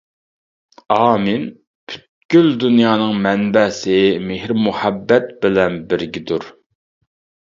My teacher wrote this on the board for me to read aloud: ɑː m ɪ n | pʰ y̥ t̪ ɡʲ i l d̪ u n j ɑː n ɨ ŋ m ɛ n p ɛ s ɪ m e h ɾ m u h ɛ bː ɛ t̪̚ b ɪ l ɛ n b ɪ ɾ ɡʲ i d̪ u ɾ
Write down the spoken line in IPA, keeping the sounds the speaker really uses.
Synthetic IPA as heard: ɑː m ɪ n | pʰ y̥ t̪ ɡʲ y l d̪ u n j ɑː n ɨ ŋ m ɛ n b ɛ s ɪ m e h ɾ m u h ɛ bː ɛ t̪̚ b ɪ l ɛ n b ɪ ɾ ɡʲ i d̪ u ɾ